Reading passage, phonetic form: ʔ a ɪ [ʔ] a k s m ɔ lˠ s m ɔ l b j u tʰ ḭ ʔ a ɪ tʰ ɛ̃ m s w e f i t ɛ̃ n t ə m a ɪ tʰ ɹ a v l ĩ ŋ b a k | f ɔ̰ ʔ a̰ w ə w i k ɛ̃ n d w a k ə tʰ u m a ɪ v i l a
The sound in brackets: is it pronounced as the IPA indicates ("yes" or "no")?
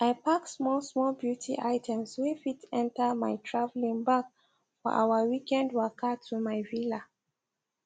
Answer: no